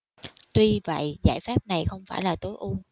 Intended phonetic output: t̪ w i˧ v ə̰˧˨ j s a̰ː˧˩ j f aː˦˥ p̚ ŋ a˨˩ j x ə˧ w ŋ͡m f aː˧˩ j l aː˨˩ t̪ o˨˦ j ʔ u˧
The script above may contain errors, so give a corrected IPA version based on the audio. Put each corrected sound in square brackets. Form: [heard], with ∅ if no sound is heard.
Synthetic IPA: t̪ w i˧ v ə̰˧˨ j [z] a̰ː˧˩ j f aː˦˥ p̚ [n] a˨˩ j x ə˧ w ŋ͡m f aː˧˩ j l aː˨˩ t̪ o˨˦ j ʔ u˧